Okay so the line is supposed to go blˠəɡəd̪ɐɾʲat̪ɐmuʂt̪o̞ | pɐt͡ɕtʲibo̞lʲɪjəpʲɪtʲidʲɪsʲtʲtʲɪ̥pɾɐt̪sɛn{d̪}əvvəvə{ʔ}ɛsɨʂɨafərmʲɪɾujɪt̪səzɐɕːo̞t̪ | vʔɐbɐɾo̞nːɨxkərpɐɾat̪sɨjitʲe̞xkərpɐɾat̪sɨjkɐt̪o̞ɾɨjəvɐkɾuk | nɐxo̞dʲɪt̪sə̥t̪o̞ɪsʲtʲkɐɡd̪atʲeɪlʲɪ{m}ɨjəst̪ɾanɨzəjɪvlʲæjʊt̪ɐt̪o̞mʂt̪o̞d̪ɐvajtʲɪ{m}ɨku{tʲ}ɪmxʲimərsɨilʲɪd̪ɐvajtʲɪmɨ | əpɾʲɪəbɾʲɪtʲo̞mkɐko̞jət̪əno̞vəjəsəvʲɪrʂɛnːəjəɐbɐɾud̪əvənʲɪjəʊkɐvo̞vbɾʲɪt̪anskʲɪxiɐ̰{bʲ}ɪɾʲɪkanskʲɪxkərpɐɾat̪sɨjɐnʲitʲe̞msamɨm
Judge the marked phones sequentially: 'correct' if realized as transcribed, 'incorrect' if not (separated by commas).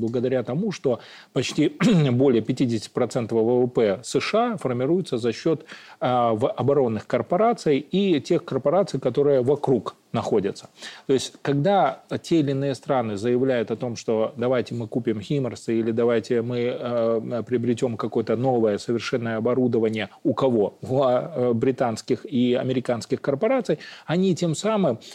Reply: incorrect, incorrect, incorrect, correct, incorrect, incorrect